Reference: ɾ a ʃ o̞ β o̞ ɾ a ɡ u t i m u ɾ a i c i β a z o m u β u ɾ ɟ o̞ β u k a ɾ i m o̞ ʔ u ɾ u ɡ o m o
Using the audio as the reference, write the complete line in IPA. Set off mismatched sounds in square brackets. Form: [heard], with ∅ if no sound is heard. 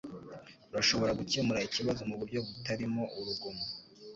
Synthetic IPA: ɾ a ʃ o̞ β o̞ ɾ a ɡ u [c] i m u ɾ a i c i β a z o m u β u ɾ ɟ o̞ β u [t] a ɾ i m o̞ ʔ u ɾ u ɡ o m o